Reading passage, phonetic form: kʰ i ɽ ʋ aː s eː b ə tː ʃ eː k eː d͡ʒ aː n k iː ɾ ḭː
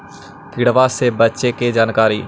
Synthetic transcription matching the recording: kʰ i ɽ ʋ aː s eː b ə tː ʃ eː k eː d͡ʒ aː n k aː ɾ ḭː

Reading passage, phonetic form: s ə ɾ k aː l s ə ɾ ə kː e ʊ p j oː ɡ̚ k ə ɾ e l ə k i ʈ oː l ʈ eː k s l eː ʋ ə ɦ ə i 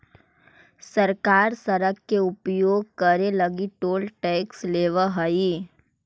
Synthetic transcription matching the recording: s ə ɾ k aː ɾ s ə ɾ ə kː e ʊ p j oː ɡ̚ k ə ɾ e l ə ɡ i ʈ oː l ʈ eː k s l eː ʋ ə ɦ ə i

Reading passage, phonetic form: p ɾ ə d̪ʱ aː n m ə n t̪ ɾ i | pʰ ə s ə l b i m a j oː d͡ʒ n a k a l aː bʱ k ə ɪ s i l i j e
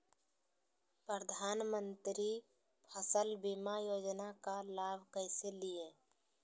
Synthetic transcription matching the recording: p ɾ ə d̪ʱ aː n m ə n t̪ ɾ i | pʰ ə s ə l b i m a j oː d͡ʒ n a k a l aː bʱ k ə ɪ s e l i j e

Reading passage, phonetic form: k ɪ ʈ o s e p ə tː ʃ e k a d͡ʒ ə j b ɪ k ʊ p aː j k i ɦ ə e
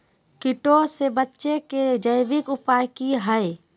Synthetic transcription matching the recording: k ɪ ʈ o s e b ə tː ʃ e k e d͡ʒ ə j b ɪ k ʊ p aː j k i ɦ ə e

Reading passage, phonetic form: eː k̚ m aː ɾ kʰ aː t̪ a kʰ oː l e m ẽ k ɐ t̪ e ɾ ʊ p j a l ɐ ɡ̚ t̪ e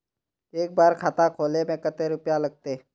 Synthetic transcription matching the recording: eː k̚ b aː ɾ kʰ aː t̪ a kʰ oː l e m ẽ k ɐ t̪ e ɾ ʊ p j a l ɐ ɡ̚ t̪ e

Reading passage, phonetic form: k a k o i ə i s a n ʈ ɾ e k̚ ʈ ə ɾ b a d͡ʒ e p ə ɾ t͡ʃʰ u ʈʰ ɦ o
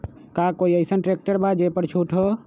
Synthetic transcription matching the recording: k a k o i ə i s ə n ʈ ɾ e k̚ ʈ ə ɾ b a d͡ʒ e p ə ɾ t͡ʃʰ u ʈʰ ɦ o

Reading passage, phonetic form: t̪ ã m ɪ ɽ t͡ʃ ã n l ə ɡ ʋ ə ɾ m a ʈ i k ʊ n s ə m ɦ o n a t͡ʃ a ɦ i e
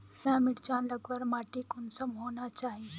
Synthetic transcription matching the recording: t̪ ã m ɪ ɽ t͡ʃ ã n l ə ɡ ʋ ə ɾ m a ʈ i k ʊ n s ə m ɦ o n a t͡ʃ a ɦ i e

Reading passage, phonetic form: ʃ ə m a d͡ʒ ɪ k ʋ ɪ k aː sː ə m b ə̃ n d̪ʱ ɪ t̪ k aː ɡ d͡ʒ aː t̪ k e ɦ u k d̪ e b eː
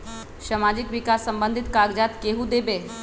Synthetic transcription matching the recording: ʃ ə m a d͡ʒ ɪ k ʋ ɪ k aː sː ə m b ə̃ n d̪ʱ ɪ t̪ k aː ɡ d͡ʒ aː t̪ k e ɦ u d̪ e b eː

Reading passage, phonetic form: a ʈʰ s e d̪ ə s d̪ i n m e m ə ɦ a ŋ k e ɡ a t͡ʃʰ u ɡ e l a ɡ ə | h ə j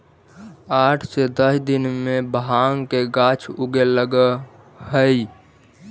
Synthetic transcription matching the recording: a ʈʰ s e d̪ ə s d̪ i n m e b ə ɦ a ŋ k e ɡ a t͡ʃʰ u ɡ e l ə ɡ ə | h ə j

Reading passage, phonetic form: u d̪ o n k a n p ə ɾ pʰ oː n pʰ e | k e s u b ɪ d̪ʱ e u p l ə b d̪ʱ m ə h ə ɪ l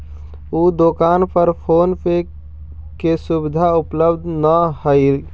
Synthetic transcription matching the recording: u d̪ o k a n p ə ɾ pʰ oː n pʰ e | k e s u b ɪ d̪ʱ a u p l ə b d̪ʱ n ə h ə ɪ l

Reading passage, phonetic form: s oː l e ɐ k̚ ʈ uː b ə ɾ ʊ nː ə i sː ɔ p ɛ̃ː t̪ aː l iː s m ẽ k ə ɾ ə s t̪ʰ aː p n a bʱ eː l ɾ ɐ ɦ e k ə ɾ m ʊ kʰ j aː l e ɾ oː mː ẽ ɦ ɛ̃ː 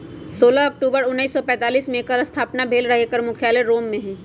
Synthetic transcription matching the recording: s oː l a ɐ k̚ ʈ uː b ə ɾ ʊ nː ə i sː ɔ p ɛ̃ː t̪ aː l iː s m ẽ k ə ɾ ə s t̪ʰ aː p n a bʱ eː l ɾ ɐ ɦ e k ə ɾ m ʊ kʰ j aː l e ɾ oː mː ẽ ɦ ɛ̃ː

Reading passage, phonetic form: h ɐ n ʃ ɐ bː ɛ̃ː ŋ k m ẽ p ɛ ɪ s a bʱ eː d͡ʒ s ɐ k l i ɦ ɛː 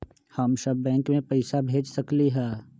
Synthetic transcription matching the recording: h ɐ m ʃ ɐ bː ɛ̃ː ŋ k m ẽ p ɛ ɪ s a bʱ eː d͡ʒ s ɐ k l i ɦ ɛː

